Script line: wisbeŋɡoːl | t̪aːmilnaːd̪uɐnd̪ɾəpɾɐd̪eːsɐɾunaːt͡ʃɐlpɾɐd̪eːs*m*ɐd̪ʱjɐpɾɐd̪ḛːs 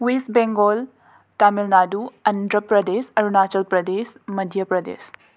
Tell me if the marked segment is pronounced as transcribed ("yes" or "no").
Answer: yes